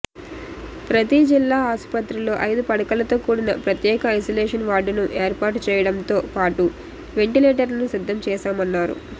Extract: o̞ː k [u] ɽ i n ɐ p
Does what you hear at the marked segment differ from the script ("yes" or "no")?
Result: yes